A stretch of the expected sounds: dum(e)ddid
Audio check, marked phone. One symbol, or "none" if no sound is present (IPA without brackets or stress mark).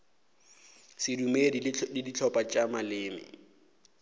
e